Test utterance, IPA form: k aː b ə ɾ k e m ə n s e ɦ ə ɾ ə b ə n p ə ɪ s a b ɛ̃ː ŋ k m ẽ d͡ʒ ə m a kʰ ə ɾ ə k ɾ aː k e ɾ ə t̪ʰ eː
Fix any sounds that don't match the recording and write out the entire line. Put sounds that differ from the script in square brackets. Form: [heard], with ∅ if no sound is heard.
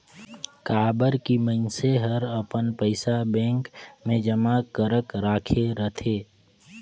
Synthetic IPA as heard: k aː b ə ɾ k [i] m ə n s e ɦ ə ɾ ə [p] ə n p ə ɪ s a b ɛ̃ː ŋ k m ẽ d͡ʒ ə m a [k] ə ɾ ə k ɾ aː [kʰ] e ɾ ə t̪ʰ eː

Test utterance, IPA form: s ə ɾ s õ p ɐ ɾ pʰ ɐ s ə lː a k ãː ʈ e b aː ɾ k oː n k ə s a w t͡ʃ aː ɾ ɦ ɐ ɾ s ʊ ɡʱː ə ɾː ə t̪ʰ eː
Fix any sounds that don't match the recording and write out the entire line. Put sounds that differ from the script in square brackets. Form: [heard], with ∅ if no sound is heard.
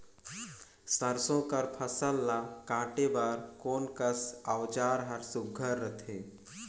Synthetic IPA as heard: s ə ɾ s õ [k] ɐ ɾ pʰ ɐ s ə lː a k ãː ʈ e b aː ɾ k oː n k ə s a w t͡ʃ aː ɾ ɦ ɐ ɾ s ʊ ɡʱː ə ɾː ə t̪ʰ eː

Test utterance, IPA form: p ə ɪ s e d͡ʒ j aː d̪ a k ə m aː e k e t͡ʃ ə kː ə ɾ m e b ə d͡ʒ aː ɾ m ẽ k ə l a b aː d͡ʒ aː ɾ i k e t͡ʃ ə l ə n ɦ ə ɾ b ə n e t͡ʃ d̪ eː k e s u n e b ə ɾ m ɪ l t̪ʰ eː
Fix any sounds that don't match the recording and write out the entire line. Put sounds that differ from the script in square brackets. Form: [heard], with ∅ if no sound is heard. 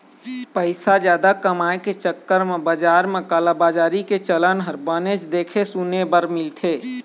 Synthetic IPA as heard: p ə ɪ s [a] d͡ʒ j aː d̪ a k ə m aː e k e t͡ʃ ə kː ə ɾ m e b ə d͡ʒ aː ɾ m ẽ k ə l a b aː d͡ʒ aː ɾ i k e t͡ʃ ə l ə n ɦ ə ɾ b ə n e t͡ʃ d̪ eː [kʰ] e s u n e b ə ɾ m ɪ l t̪ʰ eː

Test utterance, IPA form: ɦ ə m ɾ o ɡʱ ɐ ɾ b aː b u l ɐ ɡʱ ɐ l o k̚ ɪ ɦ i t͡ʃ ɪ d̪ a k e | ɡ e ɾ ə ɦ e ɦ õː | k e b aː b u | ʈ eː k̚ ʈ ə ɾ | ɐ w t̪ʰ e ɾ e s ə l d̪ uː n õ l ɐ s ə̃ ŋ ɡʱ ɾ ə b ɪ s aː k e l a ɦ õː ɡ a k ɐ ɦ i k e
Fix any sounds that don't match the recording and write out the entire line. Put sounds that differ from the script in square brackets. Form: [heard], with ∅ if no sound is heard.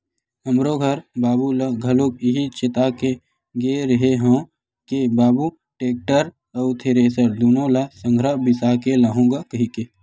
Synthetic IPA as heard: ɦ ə m ɾ o ɡʱ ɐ ɾ b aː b u l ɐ ɡʱ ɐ l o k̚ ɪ ɦ i t͡ʃ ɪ [t̪] a k e | ɡ e ɾ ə ɦ e ɦ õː | k e b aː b u | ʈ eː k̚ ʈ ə ɾ | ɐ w t̪ʰ e ɾ e s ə [ɾ] d̪ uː n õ l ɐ s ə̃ ŋ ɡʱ ɾ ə b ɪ s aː k e l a ɦ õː ɡ a k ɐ ɦ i k e

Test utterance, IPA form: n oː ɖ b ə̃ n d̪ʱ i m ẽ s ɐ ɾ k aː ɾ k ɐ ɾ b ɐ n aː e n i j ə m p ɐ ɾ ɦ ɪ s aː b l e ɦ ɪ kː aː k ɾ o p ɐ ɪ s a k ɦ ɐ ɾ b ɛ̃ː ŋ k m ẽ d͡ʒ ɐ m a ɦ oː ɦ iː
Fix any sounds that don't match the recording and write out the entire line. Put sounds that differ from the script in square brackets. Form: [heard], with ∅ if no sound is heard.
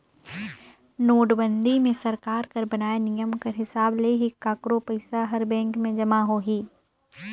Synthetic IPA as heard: n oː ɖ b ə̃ n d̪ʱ i m ẽ s ɐ ɾ k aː ɾ k ɐ ɾ b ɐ n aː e n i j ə m [k] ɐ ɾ ɦ ɪ s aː b l e ɦ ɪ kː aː k ɾ o p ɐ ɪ s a [∅] ɦ ɐ ɾ b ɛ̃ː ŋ k m ẽ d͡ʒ ɐ m a ɦ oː ɦ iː

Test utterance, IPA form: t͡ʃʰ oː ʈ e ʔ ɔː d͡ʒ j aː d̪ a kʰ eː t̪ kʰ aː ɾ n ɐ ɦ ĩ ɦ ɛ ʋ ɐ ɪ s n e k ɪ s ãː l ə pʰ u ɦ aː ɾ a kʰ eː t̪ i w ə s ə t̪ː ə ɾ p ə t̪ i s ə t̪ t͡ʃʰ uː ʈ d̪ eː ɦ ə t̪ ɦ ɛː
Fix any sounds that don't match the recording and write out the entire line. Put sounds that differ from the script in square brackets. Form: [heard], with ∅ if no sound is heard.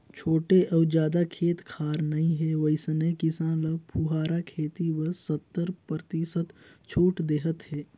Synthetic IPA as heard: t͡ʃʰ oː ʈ e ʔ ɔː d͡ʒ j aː d̪ a kʰ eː t̪ kʰ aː ɾ n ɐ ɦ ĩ ɦ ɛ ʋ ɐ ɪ s n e k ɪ s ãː l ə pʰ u ɦ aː ɾ a kʰ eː t̪ i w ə s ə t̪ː ə ɾ p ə t̪ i s ə t̪ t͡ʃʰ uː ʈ d̪ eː ɦ ə t̪ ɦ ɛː

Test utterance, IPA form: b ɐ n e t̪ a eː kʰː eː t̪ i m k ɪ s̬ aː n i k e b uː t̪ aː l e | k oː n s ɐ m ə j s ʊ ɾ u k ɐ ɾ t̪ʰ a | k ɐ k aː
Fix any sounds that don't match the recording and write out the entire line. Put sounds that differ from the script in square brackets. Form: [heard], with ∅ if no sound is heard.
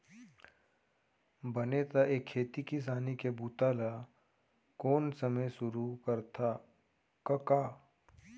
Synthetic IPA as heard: b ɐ n e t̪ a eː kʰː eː t̪ i [∅] k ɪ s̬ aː n i k e b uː t̪ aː l [a] | k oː n s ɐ m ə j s ʊ ɾ u k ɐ ɾ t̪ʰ a | k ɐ k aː

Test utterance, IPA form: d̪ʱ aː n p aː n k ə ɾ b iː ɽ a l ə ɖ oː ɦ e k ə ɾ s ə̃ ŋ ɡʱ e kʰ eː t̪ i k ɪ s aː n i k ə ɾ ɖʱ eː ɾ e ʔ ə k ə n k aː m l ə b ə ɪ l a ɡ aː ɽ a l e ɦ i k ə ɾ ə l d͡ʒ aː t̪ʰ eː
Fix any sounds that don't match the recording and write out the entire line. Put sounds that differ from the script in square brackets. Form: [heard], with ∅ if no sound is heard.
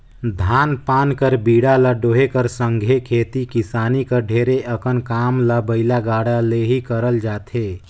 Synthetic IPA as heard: d̪ʱ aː n p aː n k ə ɾ b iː ɽ a l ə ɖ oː ɦ e k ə ɾ s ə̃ ŋ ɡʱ e kʰ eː t̪ i k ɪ s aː n i k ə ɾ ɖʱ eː ɾ e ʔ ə k ə n k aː m l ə b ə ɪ l a ɡ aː ɽ a l e ɦ i k ə ɾ ə l d͡ʒ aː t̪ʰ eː

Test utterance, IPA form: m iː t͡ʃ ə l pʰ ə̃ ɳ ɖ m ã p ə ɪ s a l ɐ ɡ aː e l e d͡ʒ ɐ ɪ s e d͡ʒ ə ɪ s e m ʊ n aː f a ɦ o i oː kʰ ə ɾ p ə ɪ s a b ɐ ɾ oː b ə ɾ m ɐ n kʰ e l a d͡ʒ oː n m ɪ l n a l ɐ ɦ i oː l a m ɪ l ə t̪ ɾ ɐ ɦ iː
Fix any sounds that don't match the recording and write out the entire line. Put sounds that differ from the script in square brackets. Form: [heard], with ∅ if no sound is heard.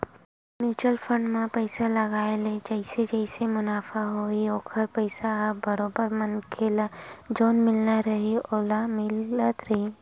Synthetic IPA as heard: m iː t͡ʃ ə l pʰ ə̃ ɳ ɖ m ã p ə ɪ s a l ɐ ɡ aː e l e d͡ʒ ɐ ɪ s e d͡ʒ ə ɪ s e m ʊ n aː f a ɦ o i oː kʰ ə ɾ p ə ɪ s a b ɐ ɾ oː b ə ɾ m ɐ n kʰ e l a d͡ʒ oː n m ɪ l n a [ɾ] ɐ ɦ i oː l a m ɪ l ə t̪ ɾ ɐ ɦ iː

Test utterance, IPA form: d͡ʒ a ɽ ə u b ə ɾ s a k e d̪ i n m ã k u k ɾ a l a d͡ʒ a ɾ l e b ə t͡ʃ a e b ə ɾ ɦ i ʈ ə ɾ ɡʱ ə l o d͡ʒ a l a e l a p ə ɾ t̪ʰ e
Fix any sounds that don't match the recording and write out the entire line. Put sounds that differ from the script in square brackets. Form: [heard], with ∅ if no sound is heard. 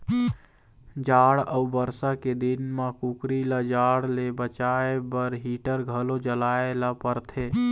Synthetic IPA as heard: d͡ʒ a ɽ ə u b ə ɾ s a k e d̪ i n m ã k u k ɾ [i] l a d͡ʒ a [ɽ] l e b ə t͡ʃ a e b ə ɾ ɦ i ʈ ə ɾ ɡʱ ə l o d͡ʒ [ə] l a e l a p ə ɾ t̪ʰ e

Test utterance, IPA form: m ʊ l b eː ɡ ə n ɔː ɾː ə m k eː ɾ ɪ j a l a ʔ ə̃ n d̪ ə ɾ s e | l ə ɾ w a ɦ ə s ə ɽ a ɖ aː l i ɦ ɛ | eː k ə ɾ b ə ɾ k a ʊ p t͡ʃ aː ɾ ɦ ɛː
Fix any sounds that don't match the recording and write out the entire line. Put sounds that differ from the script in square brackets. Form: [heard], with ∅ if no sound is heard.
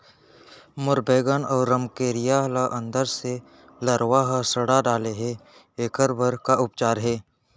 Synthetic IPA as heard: m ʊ [ɾ] b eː ɡ ə n ɔː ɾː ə m k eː ɾ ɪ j a l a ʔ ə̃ n d̪ ə ɾ s e | l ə ɾ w a ɦ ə s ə ɽ a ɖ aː l [e] ɦ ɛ | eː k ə ɾ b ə ɾ k a ʊ p t͡ʃ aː ɾ ɦ ɛː

